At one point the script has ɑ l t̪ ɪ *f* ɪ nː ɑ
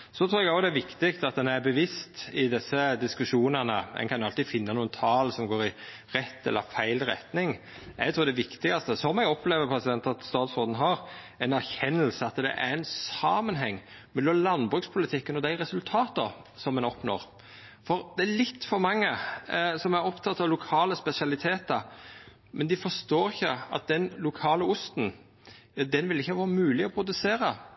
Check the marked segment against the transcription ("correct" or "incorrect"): correct